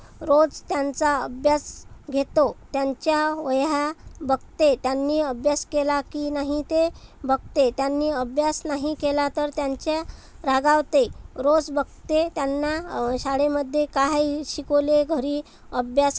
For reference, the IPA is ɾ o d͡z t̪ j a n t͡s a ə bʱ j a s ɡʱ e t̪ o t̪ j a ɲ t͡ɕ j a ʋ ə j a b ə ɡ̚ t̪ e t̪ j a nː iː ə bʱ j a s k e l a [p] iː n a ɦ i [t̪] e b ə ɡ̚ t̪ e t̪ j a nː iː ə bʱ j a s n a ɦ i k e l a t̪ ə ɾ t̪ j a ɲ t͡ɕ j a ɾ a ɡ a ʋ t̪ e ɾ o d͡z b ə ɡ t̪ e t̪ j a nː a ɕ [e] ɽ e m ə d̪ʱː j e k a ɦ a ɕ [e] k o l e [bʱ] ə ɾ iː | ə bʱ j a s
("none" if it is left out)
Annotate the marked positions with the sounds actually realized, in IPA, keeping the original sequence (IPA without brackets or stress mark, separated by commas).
k, t̪, a, i, ɡʱ